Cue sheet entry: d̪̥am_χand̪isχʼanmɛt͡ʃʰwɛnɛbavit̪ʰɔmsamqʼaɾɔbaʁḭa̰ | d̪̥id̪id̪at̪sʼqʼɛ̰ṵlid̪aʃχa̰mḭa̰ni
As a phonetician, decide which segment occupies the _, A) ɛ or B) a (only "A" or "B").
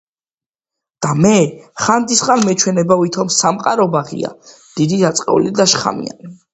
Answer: A